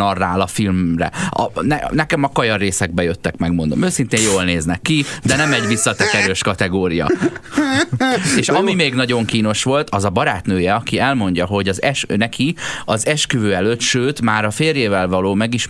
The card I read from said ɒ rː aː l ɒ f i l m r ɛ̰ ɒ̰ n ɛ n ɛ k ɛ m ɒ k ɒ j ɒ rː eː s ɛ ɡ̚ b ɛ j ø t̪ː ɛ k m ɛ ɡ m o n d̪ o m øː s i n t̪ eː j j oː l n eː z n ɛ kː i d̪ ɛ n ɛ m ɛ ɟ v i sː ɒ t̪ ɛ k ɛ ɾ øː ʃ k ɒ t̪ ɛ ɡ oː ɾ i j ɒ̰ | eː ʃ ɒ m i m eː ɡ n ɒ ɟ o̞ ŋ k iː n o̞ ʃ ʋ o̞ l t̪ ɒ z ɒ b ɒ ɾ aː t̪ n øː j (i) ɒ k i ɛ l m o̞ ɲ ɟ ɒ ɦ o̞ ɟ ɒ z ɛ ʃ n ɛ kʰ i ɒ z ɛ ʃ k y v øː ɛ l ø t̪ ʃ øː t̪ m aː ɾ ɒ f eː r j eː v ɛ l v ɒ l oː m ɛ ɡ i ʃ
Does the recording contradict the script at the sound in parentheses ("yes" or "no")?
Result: yes